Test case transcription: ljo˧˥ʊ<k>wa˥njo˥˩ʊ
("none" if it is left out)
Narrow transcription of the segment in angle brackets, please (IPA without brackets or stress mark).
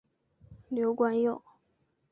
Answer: k